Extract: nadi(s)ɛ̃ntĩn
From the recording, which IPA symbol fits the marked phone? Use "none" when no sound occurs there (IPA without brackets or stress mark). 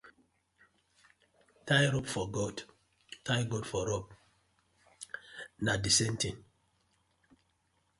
s